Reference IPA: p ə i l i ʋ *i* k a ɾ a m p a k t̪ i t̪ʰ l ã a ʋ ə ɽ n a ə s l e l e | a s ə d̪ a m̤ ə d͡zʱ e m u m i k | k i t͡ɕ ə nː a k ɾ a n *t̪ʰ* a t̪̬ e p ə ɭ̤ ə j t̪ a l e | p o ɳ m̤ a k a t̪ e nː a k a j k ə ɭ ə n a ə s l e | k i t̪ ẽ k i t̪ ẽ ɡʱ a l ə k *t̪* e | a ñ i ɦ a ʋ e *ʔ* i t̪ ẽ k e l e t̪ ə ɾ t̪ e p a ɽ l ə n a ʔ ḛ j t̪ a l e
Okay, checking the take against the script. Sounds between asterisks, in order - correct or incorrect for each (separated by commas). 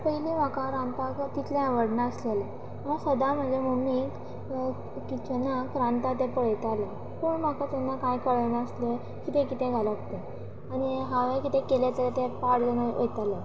incorrect, incorrect, correct, incorrect